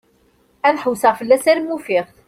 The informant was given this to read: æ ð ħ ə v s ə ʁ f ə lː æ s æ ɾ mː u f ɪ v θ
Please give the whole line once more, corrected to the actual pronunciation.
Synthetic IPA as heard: æ ð ħ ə w s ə ʁ f ə lː æ s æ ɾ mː u f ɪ ʁ θ